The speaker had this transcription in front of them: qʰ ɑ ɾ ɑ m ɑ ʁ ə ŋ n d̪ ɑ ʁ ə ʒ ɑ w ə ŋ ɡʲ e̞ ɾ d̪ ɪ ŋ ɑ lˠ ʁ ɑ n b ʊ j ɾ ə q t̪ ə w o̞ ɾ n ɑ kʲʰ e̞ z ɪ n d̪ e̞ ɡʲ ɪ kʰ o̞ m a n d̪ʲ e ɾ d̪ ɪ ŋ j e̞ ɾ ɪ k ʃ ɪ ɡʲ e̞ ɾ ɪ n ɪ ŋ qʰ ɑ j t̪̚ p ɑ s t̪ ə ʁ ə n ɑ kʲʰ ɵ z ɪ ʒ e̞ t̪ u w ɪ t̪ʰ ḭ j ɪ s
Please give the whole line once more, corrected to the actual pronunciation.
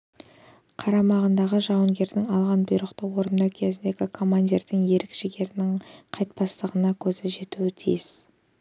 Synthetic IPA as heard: qʰ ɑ ɾ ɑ m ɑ ʁ ə n d̪ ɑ ʁ ə ʒ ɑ w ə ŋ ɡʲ e̞ ɾ d̪ ɪ ŋ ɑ lˠ ʁ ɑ n b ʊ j ɾ ə q t̪ ə w o̞ ɾ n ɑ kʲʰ e̞ z ɪ n d̪ e̞ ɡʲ ɪ kʰ o̞ m a n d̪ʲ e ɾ d̪ ɪ ŋ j e̞ ɾ ɪ k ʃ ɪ ɡʲ e̞ ɾ ɪ n ɪ ŋ qʰ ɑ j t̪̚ p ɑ s t̪ ə ʁ ə n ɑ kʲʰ ɵ z ɪ ʒ e̞ t̪ u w ɪ t̪ʰ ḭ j ɪ s